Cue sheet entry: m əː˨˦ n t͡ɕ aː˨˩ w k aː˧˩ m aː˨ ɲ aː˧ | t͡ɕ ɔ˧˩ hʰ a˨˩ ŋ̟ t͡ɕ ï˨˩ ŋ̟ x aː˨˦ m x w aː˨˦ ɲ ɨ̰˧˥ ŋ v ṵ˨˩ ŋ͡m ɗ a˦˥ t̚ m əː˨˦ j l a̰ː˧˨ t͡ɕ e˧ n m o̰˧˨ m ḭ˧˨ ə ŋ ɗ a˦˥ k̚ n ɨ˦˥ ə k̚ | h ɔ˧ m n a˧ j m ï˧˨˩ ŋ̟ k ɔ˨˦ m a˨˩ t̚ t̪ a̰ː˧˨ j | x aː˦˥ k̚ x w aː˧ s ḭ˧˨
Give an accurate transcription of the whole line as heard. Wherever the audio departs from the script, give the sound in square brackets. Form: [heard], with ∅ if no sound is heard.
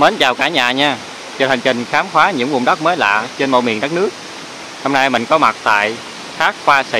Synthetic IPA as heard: m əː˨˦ n t͡ɕ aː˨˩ w k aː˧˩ [ɲ] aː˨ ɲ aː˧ | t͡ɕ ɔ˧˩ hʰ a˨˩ ŋ̟ t͡ɕ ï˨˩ ŋ̟ x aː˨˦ m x w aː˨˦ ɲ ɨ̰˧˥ ŋ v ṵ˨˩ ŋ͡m ɗ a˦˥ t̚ m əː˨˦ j l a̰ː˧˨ t͡ɕ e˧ n m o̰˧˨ m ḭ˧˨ ə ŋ ɗ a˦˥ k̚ n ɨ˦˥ ə k̚ | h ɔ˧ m n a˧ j m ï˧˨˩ ŋ̟ k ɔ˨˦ m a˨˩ t̚ t̪ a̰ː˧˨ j | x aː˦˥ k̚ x w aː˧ s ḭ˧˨